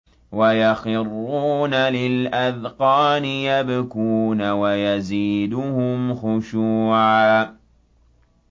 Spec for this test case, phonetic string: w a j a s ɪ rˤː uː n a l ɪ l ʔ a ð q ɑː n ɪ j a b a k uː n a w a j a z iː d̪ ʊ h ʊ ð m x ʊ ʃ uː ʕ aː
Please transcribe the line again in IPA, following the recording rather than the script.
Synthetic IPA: w a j a x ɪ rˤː uː n a l ɪ l ʔ a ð q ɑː n ɪ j a b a k uː n a w a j a z iː d̪ ʊ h ʊ m x ʊ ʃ uː ʕ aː